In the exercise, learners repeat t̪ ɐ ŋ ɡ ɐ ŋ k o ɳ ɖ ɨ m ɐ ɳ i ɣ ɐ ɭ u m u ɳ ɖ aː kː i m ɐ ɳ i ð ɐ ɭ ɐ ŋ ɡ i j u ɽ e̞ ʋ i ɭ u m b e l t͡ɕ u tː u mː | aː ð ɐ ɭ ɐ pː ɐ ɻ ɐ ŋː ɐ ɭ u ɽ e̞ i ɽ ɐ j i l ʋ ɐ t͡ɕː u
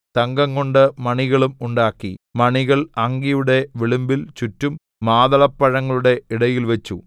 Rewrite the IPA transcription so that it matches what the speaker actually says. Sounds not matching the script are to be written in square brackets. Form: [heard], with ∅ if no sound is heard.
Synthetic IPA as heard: t̪ ɐ ŋ ɡ ɐ ŋ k o ɳ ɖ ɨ m ɐ ɳ i ɣ ɐ ɭ u m u ɳ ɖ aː kː i m ɐ ɳ i [ɣ] ɐ ɭ ɐ ŋ ɡ i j u ɽ e̞ ʋ i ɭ u m b [i] l t͡ɕ u tː u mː | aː ð ɐ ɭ ɐ pː ɐ ɻ ɐ ŋː ɐ ɭ u ɽ e̞ i ɽ ɐ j i l ʋ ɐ t͡ɕː u

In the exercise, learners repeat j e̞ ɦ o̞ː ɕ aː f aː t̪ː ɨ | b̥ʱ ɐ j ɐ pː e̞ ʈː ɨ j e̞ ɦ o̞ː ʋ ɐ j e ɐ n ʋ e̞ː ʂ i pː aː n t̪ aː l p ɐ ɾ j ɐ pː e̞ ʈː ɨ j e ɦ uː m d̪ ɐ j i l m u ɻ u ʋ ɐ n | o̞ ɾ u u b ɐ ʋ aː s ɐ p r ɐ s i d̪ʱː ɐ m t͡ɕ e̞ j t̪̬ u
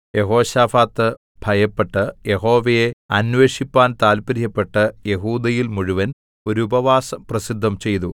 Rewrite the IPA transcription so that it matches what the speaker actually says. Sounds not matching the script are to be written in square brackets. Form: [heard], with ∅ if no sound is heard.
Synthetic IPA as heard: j e̞ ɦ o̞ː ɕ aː f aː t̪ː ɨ | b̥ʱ ɐ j ɐ pː e̞ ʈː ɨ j e̞ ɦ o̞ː ʋ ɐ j e ɐ n ʋ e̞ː ʂ i pː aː n t̪ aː l p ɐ ɾ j ɐ pː e̞ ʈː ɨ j e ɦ uː [∅] d̪ ɐ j i l m u ɻ u ʋ ɐ n | o̞ ɾ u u b ɐ ʋ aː s ɐ p r ɐ s i d̪ʱː ɐ m t͡ɕ e̞ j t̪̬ u

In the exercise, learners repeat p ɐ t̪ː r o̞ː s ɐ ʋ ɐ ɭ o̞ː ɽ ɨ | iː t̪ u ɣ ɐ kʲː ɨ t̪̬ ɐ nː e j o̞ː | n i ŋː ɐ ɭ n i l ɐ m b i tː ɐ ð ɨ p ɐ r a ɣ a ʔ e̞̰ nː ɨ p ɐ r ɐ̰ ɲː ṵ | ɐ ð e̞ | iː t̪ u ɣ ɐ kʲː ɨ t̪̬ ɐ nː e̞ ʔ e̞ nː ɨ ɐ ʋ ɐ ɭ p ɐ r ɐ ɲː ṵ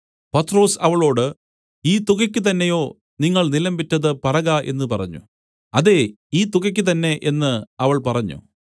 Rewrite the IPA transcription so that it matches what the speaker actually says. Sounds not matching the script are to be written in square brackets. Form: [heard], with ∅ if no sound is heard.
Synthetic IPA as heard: p ɐ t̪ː r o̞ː s ɐ ʋ ɐ ɭ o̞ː ɽ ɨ | iː t̪ u ɣ ɐ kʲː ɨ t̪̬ ɐ nː e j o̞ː | n i ŋː ɐ ɭ n i l ɐ m b i tː ɐ ð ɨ p ɐ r [ɐ] ɣ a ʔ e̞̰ nː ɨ p ɐ r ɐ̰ ɲː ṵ | ɐ ð e̞ | iː t̪ u ɣ ɐ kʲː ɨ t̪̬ ɐ nː e̞ ʔ e̞ nː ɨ ɐ ʋ ɐ ɭ p ɐ r ɐ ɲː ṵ

